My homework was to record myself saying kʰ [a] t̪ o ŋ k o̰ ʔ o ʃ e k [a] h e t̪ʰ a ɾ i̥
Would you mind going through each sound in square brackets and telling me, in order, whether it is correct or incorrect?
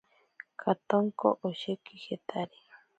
correct, incorrect

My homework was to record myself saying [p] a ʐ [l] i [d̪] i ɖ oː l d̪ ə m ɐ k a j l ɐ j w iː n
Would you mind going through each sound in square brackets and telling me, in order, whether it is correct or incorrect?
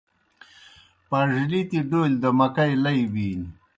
correct, correct, incorrect

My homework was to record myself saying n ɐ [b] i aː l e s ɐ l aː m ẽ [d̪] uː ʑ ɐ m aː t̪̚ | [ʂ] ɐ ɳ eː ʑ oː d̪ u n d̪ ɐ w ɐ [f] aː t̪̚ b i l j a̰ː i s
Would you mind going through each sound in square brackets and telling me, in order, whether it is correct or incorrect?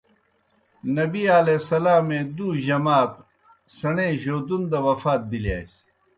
correct, correct, incorrect, correct

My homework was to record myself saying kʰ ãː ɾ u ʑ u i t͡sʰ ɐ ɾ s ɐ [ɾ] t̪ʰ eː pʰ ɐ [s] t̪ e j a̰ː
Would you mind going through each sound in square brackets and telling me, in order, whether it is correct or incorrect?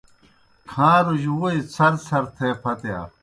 correct, incorrect

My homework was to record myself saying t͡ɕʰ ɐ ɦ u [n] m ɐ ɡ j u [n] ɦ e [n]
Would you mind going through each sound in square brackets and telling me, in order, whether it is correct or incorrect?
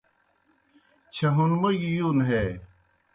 correct, correct, incorrect

